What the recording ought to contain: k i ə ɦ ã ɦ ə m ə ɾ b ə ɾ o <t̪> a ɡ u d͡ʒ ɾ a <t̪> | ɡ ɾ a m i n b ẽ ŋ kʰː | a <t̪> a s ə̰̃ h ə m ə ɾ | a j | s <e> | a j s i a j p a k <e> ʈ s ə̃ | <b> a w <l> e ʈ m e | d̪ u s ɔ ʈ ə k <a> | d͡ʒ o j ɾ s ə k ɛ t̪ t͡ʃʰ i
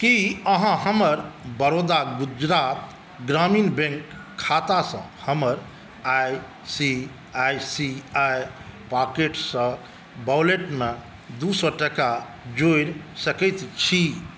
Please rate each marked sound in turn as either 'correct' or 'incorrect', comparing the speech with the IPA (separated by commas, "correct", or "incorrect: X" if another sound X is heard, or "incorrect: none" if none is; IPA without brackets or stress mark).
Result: incorrect: d̪, correct, correct, incorrect: i, correct, correct, correct, correct